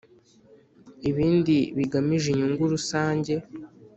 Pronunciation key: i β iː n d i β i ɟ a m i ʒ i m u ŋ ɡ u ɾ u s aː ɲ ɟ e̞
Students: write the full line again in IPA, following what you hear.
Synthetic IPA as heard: i β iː n d i β i ɡ a m i ʒ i ɲ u ŋ ɡ u ɾ u s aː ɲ ɟ e̞